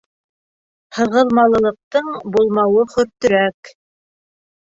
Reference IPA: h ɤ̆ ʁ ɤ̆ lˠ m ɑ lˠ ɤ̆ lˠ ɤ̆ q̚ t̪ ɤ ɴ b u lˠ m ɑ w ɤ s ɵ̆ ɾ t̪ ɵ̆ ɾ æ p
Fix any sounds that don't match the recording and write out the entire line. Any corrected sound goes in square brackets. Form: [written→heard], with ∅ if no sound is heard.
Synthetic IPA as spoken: h ɤ̆ ʁ ɤ̆ lˠ m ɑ lˠ ɤ̆ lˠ ɤ̆ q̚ t̪ ɤ ɴ b u lˠ m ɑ w ɤ [s→χ] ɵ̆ ɾ t̪ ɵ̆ ɾ æ [p→k]